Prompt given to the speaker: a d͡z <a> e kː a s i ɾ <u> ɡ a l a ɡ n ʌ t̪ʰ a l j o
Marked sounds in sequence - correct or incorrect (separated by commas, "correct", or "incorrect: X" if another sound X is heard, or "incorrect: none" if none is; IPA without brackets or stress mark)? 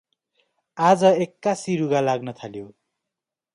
incorrect: ʌ, correct